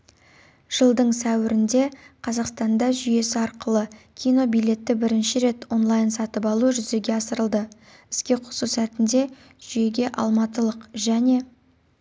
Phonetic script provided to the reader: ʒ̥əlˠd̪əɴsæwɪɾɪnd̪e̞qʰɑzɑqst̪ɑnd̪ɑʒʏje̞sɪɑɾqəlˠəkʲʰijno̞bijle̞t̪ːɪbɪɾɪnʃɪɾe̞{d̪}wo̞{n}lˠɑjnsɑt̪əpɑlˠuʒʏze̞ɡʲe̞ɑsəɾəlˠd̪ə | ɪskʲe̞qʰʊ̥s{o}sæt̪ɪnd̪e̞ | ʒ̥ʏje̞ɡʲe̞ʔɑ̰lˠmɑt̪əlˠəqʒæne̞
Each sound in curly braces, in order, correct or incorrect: incorrect: t̪, correct, incorrect: u

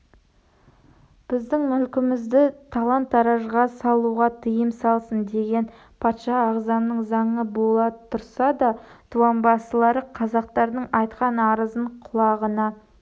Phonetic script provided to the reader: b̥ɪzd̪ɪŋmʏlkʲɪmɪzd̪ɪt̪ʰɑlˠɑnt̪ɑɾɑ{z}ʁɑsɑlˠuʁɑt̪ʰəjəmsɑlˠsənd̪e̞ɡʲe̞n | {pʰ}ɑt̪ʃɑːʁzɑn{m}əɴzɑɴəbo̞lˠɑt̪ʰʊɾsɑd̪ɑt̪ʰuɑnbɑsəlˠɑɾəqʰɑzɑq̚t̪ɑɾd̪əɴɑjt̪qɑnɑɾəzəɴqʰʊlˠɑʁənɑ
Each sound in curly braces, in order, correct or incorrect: incorrect: ʒ, correct, incorrect: n

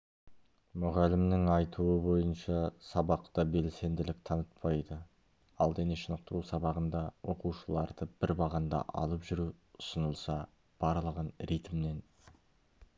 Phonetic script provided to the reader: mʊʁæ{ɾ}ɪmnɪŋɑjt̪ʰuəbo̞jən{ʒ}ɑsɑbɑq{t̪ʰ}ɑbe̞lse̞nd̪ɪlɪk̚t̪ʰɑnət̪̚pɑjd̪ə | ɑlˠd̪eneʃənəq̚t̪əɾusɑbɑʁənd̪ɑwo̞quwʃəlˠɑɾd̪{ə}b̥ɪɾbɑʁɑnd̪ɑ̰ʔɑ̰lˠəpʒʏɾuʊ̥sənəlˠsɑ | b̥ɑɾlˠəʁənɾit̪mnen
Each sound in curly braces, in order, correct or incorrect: incorrect: l, incorrect: ʃ, incorrect: t̪, correct

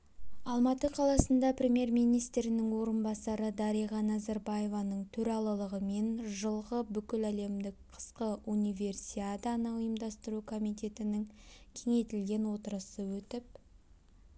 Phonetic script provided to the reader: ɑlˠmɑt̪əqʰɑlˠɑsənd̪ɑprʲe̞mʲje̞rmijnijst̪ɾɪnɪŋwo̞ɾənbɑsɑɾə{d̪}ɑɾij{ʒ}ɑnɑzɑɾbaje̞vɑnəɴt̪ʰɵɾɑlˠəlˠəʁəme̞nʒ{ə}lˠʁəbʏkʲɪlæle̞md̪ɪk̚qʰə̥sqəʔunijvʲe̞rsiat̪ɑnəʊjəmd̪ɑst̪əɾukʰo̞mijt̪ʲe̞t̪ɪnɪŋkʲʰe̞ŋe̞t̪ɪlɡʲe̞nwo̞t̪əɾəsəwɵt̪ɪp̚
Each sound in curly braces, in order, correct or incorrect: correct, incorrect: ʁ, correct

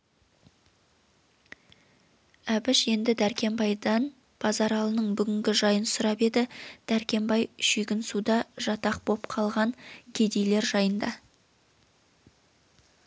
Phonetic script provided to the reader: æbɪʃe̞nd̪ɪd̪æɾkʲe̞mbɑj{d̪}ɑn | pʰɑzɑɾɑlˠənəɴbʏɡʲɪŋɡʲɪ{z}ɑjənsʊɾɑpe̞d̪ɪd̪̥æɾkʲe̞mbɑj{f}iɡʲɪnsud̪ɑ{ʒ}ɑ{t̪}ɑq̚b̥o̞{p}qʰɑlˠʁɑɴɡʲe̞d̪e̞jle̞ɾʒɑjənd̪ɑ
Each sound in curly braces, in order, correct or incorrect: correct, incorrect: ʒ, incorrect: ʃ, correct, correct, correct

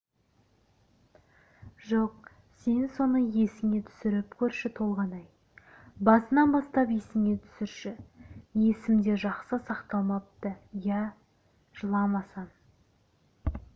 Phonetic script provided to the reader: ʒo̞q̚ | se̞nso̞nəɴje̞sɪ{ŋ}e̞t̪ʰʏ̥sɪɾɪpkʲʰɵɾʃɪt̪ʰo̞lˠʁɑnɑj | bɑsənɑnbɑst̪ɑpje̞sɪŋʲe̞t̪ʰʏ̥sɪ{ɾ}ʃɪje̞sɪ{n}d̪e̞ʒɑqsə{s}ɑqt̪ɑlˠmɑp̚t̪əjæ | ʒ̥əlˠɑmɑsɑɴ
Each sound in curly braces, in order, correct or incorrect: correct, correct, incorrect: m, correct

